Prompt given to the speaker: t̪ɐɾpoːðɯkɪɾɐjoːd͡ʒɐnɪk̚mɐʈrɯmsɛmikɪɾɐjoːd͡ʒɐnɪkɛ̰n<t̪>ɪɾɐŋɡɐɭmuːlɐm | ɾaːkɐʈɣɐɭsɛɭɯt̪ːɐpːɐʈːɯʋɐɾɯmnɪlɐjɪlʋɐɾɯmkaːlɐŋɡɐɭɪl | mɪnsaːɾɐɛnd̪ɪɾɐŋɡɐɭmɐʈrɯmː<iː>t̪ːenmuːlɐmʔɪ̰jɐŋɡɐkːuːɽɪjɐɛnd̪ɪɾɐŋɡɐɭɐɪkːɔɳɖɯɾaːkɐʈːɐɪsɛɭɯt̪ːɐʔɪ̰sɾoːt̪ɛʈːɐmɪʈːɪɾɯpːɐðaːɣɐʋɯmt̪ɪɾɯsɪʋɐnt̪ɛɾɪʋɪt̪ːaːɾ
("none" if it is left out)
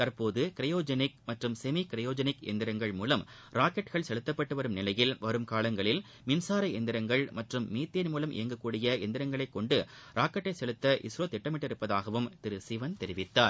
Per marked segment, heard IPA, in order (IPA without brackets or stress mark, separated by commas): d̪, iː